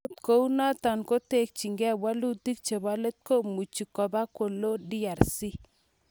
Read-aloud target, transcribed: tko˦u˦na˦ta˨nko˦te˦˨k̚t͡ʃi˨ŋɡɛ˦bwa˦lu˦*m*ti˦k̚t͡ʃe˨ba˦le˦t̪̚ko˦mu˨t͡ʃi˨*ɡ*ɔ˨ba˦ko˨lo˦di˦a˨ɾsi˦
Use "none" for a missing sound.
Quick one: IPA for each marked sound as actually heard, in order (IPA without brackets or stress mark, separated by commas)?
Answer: none, k